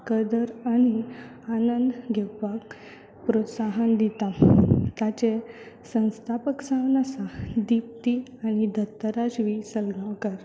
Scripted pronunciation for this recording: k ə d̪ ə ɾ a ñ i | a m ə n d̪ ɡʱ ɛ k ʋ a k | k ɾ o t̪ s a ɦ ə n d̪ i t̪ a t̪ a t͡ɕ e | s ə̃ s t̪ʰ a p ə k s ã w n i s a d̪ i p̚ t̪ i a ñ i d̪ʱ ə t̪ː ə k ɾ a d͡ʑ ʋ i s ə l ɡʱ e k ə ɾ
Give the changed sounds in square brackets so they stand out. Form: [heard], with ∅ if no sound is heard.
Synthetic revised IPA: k ə d̪ ə ɾ a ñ i | a [n] ə n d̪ ɡʱ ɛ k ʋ a k | [p] ɾ o t̪ s a ɦ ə n d̪ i t̪ a t̪ a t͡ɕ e | s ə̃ s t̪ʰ a p ə k s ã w n [a] s a d̪ i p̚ t̪ i a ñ i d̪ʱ ə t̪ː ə [∅] ɾ a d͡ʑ ʋ i s ə l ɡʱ [a] k ə ɾ